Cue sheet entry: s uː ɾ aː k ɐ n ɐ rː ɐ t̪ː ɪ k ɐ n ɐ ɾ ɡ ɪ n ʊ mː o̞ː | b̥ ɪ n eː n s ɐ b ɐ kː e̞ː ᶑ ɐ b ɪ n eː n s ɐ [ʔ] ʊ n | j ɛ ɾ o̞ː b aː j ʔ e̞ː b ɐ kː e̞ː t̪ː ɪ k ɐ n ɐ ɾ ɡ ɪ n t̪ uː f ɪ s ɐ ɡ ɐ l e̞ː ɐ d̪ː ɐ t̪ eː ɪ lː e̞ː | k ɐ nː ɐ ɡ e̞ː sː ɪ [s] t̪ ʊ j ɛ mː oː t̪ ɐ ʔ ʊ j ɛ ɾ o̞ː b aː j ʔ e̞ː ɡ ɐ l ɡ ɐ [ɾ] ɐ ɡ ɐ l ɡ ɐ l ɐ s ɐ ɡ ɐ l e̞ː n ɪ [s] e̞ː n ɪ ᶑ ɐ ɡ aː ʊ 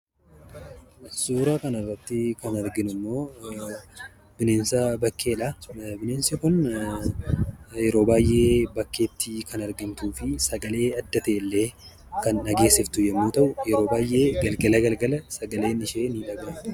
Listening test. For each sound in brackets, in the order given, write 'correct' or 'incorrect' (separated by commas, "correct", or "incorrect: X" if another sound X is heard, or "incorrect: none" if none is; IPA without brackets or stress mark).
incorrect: k, incorrect: f, incorrect: l, incorrect: ʃ